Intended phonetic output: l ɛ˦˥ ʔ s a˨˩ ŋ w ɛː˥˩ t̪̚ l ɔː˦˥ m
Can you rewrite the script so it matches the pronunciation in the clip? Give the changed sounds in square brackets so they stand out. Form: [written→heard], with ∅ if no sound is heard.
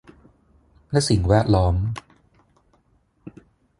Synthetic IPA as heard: l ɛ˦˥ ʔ s [a˨˩→i˨˩] ŋ w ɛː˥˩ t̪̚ l ɔː˦˥ m